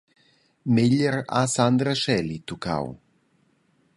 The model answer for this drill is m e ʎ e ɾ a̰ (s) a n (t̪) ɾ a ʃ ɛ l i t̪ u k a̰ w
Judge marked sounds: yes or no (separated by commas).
yes, no